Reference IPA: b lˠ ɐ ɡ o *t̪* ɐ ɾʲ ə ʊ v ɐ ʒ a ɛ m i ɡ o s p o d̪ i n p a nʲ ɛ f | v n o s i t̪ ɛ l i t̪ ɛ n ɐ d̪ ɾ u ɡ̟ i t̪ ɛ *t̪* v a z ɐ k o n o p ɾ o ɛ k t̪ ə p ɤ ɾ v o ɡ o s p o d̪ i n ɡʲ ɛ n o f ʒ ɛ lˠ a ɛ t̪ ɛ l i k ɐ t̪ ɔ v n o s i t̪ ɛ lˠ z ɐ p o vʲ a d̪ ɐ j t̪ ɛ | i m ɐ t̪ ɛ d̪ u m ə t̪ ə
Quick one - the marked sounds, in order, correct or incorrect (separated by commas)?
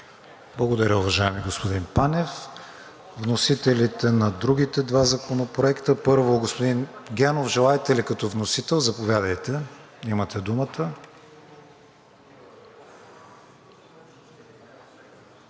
incorrect, incorrect